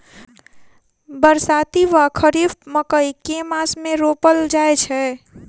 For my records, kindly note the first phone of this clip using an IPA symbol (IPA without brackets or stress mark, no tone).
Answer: b